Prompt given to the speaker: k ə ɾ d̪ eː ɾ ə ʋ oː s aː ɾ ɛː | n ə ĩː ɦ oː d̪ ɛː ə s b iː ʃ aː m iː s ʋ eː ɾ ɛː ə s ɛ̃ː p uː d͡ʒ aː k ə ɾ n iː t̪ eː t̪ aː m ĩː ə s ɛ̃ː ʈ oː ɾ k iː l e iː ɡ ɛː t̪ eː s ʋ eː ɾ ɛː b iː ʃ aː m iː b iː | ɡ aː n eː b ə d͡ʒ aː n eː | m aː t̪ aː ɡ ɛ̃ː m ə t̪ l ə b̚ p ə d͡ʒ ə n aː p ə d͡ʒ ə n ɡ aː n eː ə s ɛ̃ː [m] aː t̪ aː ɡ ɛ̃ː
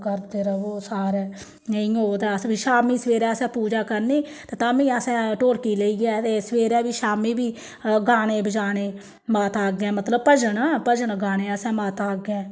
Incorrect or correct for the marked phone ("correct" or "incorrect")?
correct